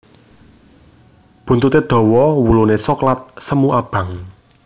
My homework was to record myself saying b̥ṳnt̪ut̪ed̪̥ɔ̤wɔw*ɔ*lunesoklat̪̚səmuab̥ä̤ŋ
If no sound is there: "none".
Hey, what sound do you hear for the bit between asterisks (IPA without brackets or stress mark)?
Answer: u